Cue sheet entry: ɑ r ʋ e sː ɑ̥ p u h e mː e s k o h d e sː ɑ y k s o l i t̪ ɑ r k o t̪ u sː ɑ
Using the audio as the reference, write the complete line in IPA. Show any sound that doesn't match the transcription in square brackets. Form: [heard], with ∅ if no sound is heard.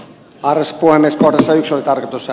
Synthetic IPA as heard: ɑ r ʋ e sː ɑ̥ p u h e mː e s k o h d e sː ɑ y k s o l i t̪ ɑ r k o t̪ u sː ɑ